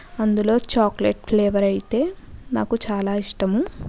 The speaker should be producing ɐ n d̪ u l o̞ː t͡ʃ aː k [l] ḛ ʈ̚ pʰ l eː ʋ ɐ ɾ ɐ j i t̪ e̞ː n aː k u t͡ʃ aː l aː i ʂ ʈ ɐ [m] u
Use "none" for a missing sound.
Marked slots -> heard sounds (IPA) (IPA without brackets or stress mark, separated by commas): l, m